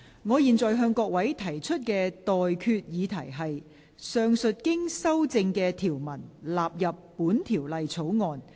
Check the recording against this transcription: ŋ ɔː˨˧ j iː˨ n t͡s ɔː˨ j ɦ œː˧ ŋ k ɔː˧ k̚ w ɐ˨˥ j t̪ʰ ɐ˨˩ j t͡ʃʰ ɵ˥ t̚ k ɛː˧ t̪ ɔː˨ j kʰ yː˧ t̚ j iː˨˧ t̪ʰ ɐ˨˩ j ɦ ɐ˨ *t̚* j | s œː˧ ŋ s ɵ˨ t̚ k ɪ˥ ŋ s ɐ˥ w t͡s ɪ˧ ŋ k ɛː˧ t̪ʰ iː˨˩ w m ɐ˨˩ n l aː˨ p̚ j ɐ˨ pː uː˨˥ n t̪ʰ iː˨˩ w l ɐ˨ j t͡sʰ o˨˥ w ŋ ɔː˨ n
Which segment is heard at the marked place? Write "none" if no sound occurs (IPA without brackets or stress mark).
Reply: none